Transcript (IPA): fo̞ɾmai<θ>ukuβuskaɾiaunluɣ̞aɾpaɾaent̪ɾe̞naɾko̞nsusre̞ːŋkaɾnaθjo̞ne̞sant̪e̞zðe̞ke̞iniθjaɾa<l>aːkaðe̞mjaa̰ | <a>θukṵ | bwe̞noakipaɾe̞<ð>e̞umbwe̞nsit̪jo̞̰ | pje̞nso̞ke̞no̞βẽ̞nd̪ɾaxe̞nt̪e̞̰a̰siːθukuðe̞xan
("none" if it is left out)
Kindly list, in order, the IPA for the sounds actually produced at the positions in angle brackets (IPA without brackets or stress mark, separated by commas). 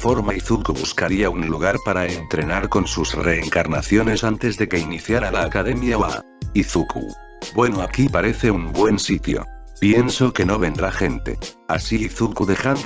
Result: θ, l, i, θ